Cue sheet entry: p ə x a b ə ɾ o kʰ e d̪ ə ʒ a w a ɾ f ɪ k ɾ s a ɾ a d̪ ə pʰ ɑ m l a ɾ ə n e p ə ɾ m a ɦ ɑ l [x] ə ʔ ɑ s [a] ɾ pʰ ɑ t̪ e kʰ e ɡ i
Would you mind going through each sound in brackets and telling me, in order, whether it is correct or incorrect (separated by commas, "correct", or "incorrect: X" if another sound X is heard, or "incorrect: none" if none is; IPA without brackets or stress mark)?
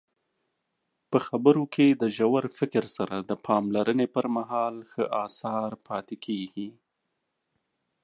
correct, incorrect: ɑ